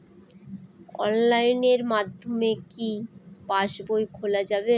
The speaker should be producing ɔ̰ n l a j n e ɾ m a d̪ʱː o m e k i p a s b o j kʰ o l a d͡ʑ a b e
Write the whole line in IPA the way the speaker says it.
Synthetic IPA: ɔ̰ n l a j n e ɾ m a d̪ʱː o m e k i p a ʃ b o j kʰ o l a d͡ʑ a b e